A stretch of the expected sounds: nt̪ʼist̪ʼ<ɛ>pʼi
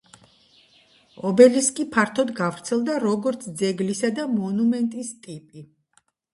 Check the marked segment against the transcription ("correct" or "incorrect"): incorrect